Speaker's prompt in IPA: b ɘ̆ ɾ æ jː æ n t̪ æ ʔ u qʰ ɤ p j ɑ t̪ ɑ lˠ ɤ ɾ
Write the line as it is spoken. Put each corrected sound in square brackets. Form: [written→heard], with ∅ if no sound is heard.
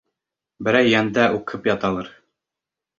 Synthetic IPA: b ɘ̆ ɾ æ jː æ n [t̪→d̪] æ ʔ u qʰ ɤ p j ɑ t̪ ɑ lˠ ɤ ɾ